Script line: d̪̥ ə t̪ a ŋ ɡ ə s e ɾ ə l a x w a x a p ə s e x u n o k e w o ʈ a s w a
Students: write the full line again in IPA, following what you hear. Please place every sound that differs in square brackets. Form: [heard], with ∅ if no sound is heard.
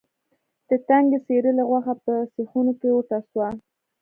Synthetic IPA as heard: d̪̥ ə t̪ a ŋ ɡ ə s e ɾ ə l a [ɣ] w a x a p ə s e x u n o k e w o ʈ a s w a